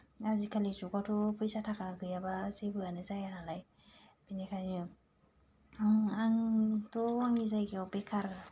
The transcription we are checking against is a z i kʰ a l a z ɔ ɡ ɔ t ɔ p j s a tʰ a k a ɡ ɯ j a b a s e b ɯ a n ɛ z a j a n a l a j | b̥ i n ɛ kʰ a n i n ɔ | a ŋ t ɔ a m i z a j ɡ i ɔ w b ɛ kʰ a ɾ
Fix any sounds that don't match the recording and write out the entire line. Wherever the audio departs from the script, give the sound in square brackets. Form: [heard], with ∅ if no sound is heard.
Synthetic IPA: a z i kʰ a l [i] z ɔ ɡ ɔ t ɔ p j s a tʰ a k a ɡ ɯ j a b a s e b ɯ a n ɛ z a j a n a l a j | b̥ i n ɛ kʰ a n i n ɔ | a ŋ t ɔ a [ŋ] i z a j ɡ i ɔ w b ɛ kʰ a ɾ

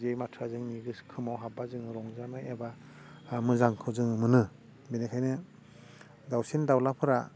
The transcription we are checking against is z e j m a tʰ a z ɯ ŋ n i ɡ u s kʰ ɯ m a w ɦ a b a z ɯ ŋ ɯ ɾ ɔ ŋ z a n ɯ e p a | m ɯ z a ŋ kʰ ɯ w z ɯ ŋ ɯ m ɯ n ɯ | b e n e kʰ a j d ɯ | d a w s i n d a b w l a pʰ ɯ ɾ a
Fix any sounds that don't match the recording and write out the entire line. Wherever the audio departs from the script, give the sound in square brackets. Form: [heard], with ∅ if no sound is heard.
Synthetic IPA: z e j m a tʰ a z ɯ ŋ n i ɡ [ɯ] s kʰ ɯ m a w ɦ a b a z ɯ ŋ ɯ ɾ ɔ ŋ z a n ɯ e [b] a | m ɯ z a ŋ kʰ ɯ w z ɯ ŋ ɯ m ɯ n ɯ | b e n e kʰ a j [n] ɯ | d a w s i n d a [∅] w l a pʰ ɯ ɾ a

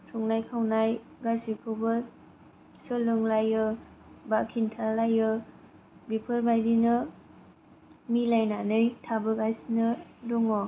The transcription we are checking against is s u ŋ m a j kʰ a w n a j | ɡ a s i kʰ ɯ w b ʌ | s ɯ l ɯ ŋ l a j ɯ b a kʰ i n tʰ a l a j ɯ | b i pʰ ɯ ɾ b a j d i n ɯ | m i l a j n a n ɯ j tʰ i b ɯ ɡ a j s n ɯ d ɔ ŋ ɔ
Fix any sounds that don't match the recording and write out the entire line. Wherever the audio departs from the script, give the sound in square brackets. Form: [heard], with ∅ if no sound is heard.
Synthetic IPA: s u ŋ [n] a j kʰ a w n a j | ɡ a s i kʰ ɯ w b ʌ | s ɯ l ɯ ŋ l a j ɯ b a kʰ i n tʰ a l a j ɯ | b i pʰ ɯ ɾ b a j d i n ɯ | m i l a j n a n ɯ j tʰ [a] b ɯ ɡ a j s n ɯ d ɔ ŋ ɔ

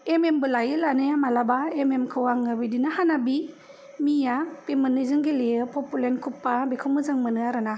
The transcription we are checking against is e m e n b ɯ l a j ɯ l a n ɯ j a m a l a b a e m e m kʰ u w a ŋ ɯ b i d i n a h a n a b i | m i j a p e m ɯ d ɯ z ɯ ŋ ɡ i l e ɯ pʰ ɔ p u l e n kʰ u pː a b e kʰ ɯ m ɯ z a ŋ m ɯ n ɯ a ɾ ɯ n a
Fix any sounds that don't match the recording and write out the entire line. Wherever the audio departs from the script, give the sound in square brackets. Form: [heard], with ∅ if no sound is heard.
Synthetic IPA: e m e [m] b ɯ l a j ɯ l a n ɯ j a m a l a b a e m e m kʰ [ɯ] w a ŋ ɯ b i d i n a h a n a b i | m i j a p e m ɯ [n] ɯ z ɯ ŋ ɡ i l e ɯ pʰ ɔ p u l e n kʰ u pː a b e kʰ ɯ m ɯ z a ŋ m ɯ n ɯ a ɾ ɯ n a

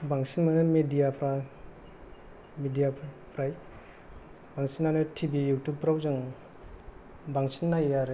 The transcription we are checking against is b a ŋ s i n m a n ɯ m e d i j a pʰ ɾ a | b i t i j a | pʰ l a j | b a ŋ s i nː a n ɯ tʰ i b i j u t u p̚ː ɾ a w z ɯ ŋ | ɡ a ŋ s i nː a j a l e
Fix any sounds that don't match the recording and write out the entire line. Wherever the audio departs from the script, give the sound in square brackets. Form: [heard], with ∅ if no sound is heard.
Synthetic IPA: b a ŋ s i n m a n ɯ m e d i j a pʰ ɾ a | [m] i [d] i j a | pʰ [ɾ] a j | b a ŋ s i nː a n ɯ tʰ i b i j u t u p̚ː ɾ a w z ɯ ŋ | [b] a ŋ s i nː a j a [ɾ] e

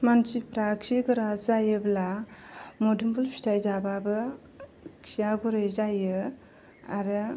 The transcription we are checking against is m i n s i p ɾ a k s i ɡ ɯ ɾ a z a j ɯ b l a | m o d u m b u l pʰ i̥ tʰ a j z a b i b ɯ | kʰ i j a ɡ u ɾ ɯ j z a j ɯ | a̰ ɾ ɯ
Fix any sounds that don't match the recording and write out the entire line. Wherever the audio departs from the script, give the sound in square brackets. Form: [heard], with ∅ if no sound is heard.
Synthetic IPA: m [a] n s i p ɾ a k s i ɡ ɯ ɾ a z a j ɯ b l a | m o d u m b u l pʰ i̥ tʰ a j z a b [a] b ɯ | kʰ i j a ɡ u ɾ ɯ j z a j ɯ | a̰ ɾ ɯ

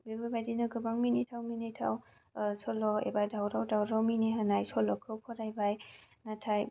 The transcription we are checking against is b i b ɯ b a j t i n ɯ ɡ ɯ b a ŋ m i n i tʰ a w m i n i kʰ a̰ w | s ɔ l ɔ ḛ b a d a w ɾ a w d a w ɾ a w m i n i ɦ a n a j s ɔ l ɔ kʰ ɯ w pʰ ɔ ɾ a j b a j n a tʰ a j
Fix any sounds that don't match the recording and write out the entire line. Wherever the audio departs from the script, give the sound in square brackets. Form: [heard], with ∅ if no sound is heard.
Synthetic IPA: b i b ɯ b a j [d] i n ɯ ɡ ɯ b a ŋ m i n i tʰ a w m i n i [tʰ] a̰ w | s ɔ l ɔ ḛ b a d a w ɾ a w d a w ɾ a w m i n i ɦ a n a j s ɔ l ɔ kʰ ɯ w pʰ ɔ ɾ a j b a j n a tʰ a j

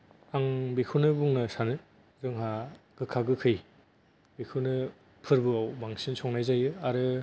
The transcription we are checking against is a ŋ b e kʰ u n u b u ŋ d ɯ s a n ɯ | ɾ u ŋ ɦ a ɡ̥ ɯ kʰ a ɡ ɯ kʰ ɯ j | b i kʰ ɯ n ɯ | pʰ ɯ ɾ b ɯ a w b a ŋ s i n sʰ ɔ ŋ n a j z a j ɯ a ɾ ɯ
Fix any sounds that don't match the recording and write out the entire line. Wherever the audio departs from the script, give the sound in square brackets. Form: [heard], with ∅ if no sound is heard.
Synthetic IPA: a ŋ b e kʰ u n [ɯ] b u ŋ [n] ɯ s a n ɯ | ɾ [ɯ] ŋ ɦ a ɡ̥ ɯ kʰ a ɡ ɯ kʰ ɯ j | b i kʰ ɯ n ɯ | pʰ ɯ ɾ b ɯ a w b a ŋ s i n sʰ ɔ ŋ n a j z a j ɯ a ɾ ɯ

